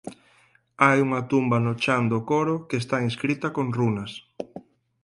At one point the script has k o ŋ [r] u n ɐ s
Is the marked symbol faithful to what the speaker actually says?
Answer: yes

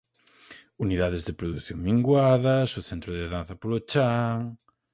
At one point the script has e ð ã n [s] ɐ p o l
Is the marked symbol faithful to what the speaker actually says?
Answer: no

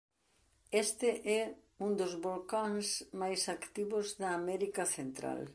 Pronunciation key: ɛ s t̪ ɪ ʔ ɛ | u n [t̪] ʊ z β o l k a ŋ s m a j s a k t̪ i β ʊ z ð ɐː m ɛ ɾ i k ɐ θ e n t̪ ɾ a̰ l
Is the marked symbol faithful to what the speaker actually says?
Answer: no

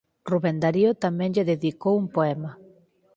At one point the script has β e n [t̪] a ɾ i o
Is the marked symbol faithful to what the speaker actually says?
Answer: no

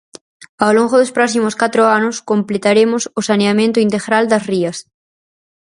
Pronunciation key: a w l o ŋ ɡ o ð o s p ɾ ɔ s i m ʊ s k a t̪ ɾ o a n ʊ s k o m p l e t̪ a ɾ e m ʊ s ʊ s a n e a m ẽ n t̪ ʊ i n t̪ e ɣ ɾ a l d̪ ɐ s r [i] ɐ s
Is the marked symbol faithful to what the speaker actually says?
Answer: yes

